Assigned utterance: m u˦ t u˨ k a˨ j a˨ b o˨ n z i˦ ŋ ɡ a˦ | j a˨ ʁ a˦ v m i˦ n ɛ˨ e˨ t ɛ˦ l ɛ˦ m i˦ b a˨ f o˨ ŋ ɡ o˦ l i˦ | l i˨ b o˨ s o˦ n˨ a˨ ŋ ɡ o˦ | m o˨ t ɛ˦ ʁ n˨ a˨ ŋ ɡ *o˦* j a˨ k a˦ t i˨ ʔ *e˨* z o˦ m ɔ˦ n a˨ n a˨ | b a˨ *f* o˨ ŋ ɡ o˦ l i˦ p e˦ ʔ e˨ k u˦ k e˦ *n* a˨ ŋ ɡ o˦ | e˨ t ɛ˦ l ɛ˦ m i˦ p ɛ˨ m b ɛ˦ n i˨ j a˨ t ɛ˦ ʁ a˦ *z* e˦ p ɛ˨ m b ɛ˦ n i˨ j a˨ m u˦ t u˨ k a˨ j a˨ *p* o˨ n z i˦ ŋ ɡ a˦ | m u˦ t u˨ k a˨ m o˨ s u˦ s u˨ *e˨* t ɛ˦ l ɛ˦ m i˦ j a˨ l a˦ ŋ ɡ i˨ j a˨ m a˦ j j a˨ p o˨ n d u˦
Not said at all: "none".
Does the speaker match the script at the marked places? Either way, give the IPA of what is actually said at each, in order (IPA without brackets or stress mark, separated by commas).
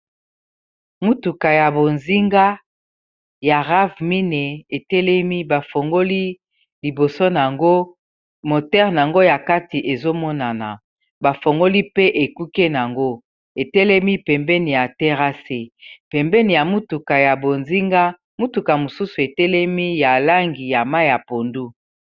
o˦, e˨, f, n, s, b, e˨